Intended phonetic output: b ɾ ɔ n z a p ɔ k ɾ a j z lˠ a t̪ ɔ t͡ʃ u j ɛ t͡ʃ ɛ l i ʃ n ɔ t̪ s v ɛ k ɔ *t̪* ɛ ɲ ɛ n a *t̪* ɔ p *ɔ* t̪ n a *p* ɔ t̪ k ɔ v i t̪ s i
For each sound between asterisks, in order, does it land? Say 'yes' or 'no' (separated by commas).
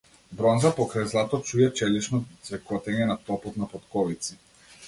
yes, yes, yes, yes